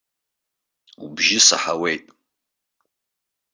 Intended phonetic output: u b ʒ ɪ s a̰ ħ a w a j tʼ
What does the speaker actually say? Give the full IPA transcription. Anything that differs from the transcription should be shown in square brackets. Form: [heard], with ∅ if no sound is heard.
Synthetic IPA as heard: u b ʒ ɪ s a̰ ħ a w [e] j tʼ